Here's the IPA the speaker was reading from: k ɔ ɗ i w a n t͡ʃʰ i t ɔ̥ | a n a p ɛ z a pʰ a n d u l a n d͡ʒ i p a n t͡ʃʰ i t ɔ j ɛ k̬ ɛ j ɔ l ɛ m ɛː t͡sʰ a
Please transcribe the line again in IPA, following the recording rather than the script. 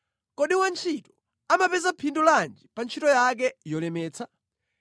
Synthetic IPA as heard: k ɔ ɗ i w a n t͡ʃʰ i t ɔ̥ | a m a p ɛ z a pʰ i n d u l a n d͡ʒ i p a n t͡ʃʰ i t ɔ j a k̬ ɛ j ɔ l ɛ m ɛː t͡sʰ a